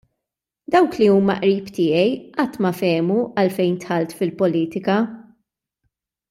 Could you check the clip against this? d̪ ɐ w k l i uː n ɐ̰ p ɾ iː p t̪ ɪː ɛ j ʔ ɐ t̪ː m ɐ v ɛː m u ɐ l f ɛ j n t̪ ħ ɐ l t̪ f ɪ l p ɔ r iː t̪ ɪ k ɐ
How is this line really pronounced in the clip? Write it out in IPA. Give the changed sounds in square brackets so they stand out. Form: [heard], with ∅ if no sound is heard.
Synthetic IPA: d̪ ɐ w k l i uː [m] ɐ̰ [ʔ] ɾ iː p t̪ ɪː ɛ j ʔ ɐ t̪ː m ɐ [f] ɛː m u ɐ l f ɛ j n t̪ ħ ɐ l t̪ f ɪ l p ɔ [l] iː t̪ ɪ k ɐ